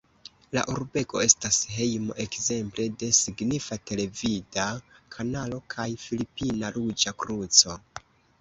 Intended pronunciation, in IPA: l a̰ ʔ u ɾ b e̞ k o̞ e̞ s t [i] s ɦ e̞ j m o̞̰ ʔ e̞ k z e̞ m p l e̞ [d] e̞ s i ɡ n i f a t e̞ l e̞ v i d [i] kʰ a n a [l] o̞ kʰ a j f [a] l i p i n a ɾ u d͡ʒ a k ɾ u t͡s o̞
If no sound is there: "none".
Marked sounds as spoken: a, d, a, l, i

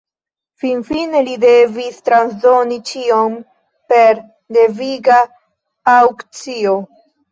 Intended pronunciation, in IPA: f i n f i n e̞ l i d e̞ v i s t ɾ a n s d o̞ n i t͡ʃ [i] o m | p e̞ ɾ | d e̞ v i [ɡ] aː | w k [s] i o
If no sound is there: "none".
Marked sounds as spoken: i, ɡ, t͡s

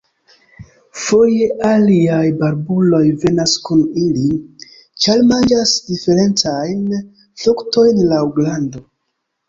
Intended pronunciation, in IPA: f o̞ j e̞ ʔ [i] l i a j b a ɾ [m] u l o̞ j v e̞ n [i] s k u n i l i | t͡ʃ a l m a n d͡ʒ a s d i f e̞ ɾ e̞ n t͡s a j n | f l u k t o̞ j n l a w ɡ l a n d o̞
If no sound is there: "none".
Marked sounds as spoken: a, b, a

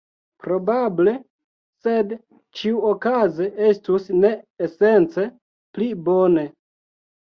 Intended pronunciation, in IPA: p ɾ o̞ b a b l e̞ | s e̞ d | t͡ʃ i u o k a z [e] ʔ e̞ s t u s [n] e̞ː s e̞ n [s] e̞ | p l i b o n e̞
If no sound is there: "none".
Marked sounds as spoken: e, n, t͡s

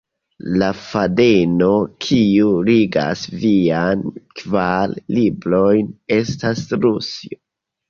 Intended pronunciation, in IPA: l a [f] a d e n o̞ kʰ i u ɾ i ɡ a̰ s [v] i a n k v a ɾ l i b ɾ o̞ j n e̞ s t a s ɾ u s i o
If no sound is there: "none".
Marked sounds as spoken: f, v

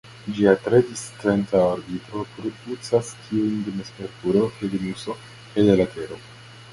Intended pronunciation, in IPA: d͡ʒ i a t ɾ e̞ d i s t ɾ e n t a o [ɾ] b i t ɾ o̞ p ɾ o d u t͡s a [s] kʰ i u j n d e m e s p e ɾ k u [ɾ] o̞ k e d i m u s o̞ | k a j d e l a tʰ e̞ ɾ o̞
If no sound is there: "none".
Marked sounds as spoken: ɾ, s, ɾ

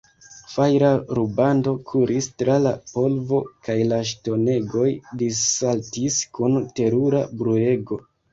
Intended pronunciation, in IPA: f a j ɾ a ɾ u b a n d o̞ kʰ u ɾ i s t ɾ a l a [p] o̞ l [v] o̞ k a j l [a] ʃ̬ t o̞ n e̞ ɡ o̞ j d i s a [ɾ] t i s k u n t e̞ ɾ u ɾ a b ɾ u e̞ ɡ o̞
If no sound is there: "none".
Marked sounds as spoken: p, v, a, l

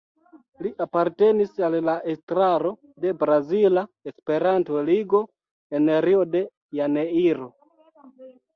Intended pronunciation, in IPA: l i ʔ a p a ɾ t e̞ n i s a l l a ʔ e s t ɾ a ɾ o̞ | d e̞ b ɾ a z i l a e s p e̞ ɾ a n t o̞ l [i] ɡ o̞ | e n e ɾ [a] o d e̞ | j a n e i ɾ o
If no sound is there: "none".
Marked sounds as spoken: i, i

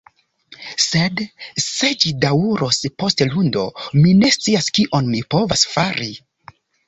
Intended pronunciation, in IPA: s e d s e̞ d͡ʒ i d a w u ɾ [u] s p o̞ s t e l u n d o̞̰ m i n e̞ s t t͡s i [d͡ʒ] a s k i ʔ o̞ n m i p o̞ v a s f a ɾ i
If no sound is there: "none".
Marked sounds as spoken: o, none

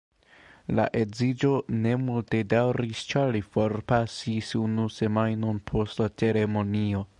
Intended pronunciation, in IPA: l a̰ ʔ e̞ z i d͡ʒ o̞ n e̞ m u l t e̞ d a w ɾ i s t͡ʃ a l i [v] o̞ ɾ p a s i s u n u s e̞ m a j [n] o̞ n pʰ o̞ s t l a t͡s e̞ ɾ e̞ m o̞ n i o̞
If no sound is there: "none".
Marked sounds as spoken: f, n

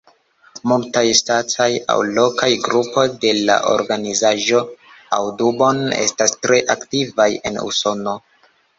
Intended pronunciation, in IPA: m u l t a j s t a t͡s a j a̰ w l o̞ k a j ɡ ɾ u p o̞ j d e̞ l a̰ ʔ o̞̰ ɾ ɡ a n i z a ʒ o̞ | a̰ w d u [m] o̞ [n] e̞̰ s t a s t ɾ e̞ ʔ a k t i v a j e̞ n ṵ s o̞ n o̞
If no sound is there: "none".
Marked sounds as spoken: b, n

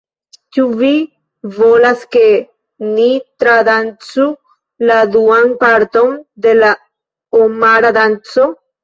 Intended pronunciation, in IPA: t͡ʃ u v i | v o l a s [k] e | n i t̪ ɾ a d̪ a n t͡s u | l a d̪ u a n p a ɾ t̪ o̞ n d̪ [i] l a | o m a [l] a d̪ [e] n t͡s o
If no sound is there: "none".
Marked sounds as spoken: k, e, ɾ, a

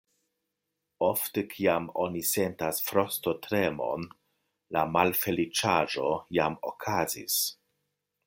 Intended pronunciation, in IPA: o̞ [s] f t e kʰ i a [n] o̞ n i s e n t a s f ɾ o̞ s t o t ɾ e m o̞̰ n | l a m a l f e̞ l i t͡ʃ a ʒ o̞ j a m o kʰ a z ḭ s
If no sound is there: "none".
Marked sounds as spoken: none, m

